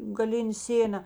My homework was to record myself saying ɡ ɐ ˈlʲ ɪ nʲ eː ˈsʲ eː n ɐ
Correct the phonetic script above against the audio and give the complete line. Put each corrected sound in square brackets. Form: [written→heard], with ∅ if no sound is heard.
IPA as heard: ɡ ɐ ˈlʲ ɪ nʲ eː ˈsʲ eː n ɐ

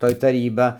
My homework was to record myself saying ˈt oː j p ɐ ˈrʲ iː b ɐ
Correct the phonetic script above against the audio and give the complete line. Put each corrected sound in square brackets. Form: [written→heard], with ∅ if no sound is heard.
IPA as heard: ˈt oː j [p→t] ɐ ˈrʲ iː b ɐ

